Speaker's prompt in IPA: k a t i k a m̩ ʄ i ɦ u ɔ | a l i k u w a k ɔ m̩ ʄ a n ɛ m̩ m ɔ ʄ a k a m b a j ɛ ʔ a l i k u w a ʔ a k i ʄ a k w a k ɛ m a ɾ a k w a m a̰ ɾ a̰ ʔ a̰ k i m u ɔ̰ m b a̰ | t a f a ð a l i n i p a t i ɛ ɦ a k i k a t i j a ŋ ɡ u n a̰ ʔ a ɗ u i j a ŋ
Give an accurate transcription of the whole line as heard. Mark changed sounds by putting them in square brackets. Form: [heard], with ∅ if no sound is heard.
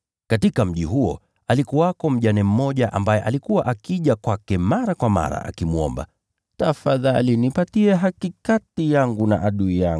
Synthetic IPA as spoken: k a t i k a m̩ ʄ i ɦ u ɔ | a l i k u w a k ɔ m̩ ʄ a n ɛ m̩ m ɔ ʄ a [ʔ] a m b a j ɛ ʔ a l i k u w a ʔ a k i ʄ a k w a k ɛ m a ɾ a k w a m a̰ ɾ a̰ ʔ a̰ k i m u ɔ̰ m b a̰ | t a f a ð a l i n i p a t i ɛ ɦ a k i k a t i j a ŋ ɡ u n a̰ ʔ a ɗ u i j a ŋ

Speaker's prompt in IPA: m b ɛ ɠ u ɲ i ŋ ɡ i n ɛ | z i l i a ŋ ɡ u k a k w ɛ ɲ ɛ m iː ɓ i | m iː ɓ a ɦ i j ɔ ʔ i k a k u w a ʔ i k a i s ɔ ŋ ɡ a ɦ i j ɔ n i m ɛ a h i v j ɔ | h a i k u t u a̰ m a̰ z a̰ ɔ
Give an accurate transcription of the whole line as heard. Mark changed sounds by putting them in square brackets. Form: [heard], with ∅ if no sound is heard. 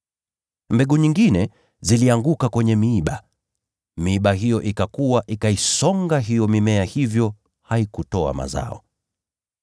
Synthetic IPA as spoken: m b ɛ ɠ u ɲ i ŋ ɡ i n ɛ | z i l i a ŋ ɡ u k a k w ɛ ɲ ɛ m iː ɓ [a] | m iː ɓ a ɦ i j ɔ ʔ i k a k u w a ʔ i k a i s ɔ ŋ ɡ a ɦ i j ɔ [m] i m ɛ a h i v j ɔ | h a i k u t [ɔ] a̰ m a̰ z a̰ ɔ

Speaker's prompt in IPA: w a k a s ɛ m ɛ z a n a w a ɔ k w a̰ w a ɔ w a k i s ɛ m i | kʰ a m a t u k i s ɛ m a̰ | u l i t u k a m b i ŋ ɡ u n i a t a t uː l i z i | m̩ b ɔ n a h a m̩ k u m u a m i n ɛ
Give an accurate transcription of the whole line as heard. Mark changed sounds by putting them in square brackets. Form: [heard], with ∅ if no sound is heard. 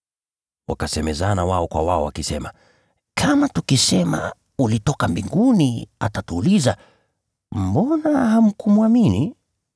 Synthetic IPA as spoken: w a k a s ɛ m ɛ z a n a w a ɔ k w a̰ w a ɔ w a k i s ɛ m [a] | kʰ a m a t u k i s ɛ m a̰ | u l i t [ɔ] k a m b i ŋ ɡ u n i a t a t uː l i z [a] | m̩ b ɔ n a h a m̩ k u m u a m i n [i]

